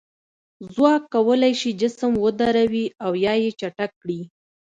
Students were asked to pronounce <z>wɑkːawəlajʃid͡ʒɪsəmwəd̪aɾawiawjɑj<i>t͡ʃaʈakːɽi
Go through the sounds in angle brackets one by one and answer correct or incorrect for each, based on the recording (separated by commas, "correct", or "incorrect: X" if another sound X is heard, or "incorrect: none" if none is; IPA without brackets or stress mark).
correct, incorrect: e